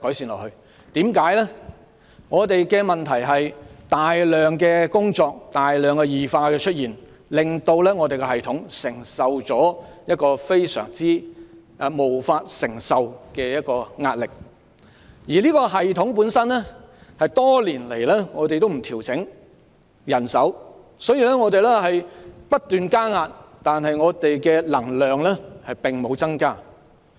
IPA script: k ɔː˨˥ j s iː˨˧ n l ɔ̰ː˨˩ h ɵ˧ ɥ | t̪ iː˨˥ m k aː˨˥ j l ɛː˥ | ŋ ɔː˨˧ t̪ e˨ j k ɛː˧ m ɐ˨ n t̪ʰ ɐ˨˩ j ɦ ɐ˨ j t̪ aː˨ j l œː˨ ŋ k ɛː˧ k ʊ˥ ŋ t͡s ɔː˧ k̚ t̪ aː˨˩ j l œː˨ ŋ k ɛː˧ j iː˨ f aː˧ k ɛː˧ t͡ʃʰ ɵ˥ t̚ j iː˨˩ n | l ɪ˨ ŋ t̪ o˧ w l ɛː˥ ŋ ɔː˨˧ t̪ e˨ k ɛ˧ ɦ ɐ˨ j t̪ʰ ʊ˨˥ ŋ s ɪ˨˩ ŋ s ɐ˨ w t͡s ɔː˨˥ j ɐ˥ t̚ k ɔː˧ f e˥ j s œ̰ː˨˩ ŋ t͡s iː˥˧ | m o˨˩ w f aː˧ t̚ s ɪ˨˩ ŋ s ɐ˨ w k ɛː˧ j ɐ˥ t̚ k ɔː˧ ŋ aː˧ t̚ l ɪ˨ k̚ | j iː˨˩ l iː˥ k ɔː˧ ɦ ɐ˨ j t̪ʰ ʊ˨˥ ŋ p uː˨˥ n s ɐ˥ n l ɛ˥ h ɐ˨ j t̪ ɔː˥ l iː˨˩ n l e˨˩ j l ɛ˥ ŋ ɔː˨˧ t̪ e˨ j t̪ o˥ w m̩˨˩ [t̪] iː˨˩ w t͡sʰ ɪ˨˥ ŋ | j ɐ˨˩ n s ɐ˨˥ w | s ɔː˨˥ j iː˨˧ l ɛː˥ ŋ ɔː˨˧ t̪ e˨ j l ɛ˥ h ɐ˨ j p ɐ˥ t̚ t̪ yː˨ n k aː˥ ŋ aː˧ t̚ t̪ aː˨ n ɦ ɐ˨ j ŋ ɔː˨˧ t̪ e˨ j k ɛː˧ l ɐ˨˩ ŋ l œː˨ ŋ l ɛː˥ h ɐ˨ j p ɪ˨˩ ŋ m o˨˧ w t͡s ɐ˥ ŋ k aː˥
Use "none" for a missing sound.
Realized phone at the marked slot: t̪ʰ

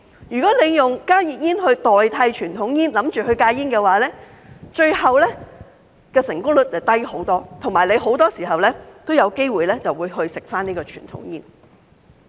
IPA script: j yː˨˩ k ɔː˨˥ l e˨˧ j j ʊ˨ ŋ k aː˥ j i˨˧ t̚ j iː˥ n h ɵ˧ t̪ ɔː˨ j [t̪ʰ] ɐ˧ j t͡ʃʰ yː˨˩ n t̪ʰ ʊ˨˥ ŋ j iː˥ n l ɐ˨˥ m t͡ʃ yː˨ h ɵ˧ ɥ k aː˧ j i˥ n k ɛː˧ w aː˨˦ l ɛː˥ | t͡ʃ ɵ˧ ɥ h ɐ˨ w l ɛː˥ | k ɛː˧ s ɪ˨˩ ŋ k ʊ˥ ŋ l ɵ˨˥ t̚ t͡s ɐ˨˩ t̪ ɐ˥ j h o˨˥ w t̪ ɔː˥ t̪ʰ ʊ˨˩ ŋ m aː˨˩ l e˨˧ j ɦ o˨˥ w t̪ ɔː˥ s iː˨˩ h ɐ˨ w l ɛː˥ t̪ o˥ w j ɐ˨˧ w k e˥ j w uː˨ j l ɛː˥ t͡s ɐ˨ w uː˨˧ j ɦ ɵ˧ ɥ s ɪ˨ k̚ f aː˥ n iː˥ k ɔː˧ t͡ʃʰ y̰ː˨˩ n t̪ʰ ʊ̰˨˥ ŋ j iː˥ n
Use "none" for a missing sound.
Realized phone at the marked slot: t̪ʰ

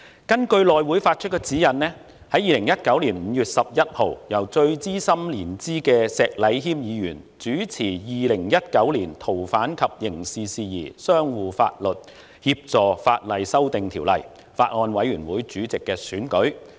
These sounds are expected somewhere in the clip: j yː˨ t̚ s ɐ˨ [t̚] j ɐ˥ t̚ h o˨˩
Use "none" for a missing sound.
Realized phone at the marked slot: p̚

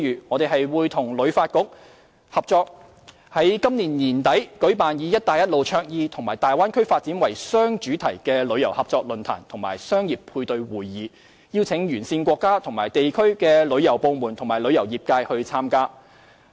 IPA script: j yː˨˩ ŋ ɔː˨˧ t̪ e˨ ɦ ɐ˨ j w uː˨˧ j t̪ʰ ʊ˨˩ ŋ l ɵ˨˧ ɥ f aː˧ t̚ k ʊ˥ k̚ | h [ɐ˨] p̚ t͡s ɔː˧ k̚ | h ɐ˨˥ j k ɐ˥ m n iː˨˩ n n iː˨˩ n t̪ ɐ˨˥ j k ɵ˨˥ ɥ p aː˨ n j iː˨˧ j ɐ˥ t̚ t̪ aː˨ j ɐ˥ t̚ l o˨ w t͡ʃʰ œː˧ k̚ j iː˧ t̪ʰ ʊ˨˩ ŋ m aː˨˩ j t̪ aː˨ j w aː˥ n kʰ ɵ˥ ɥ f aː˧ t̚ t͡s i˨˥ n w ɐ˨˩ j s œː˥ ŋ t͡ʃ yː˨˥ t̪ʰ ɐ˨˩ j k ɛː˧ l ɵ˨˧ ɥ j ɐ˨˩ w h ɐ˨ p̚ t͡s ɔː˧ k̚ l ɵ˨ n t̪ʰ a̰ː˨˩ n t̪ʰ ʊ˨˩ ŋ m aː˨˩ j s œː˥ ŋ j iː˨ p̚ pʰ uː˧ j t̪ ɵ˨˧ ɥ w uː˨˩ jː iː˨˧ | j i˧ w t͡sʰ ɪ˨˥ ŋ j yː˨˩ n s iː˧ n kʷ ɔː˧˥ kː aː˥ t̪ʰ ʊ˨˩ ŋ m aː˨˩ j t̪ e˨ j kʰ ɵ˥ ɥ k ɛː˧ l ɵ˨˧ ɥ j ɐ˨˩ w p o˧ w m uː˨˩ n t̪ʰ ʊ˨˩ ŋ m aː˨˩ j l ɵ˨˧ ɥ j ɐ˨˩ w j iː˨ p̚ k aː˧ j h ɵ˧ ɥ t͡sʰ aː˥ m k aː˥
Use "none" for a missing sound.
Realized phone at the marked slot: ɐ˨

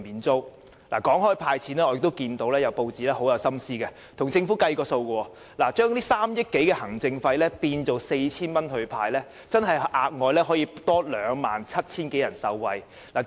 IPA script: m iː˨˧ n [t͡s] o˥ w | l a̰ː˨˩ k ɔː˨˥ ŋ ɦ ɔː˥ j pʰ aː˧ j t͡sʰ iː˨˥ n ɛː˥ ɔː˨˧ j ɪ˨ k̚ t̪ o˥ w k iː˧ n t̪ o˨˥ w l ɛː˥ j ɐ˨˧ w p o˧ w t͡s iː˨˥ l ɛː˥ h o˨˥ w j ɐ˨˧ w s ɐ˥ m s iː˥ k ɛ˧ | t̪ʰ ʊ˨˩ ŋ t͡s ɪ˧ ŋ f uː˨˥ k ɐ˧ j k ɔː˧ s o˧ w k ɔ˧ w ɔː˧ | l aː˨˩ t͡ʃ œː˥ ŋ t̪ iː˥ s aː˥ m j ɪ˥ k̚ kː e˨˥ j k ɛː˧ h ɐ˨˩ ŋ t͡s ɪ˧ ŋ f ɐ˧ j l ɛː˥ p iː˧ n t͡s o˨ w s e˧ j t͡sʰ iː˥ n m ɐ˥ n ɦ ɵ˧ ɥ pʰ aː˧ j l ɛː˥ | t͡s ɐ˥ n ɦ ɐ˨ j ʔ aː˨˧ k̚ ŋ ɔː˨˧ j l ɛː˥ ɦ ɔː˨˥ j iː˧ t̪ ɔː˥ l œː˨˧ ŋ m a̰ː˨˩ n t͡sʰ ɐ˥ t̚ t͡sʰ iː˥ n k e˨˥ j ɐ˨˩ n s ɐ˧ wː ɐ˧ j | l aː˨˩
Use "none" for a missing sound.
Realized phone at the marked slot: t͡s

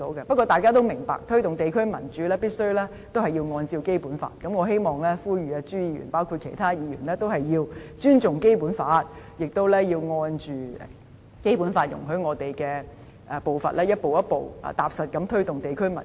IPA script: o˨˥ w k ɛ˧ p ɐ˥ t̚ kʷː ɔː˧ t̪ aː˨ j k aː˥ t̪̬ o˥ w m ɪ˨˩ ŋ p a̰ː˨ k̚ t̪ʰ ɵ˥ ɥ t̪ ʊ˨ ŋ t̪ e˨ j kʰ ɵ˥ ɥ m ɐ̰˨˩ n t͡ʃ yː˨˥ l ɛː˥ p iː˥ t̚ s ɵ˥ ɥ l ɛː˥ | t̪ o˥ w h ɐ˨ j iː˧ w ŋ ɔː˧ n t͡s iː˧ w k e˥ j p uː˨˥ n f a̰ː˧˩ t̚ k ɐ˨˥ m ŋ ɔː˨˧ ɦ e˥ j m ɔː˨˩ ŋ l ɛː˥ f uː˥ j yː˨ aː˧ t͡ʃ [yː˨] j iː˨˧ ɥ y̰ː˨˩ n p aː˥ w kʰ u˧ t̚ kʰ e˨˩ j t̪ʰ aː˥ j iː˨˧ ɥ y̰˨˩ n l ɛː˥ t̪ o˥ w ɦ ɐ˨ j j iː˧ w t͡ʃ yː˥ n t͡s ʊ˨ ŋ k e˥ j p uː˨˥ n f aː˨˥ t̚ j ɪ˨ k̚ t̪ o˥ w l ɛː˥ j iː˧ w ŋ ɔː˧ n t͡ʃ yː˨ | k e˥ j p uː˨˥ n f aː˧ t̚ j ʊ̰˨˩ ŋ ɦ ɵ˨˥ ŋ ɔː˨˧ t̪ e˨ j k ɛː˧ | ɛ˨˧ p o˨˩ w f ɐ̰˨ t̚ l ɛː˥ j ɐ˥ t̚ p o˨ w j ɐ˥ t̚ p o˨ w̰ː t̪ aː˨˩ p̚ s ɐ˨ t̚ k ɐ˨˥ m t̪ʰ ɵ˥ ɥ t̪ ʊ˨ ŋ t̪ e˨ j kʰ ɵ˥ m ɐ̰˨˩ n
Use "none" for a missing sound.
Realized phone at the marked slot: yː˥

